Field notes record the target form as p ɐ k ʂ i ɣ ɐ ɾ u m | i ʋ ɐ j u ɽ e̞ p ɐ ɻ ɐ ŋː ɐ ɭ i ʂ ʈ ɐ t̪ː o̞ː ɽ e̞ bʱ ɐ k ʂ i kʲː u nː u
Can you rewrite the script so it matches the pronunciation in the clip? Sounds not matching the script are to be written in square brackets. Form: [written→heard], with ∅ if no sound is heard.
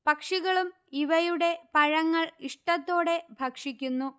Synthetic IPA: p ɐ k ʂ i ɣ ɐ [ɾ→ɭ] u m | i ʋ ɐ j u ɽ e̞ p ɐ ɻ ɐ ŋː ɐ ɭ i ʂ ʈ ɐ t̪ː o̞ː ɽ e̞ bʱ ɐ k ʂ i kʲː u nː u